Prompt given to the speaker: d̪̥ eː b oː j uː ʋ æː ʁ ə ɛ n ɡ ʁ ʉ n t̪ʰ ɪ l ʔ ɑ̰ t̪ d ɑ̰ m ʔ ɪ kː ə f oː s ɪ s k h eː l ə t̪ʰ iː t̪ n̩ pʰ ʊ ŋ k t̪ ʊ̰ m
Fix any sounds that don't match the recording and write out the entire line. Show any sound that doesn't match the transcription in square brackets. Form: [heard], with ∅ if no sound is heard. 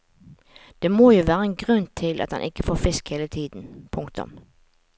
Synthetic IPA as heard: d̪̥ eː [m] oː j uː ʋ æː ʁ ə ɛ n ɡ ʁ ʉ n t̪ʰ ɪ l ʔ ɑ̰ t̪ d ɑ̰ [n] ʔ ɪ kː ə f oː [f] ɪ s k h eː l ə t̪ʰ iː [d̪] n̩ pʰ ʊ ŋ k t̪ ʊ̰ m